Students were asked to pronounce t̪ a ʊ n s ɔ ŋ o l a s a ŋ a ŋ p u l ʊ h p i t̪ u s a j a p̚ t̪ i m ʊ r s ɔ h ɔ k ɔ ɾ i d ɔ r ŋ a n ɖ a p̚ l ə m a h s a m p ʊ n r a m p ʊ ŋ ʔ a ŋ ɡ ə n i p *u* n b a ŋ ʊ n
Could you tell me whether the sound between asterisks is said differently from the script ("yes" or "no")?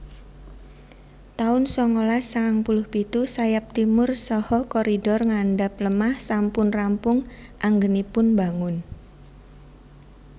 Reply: yes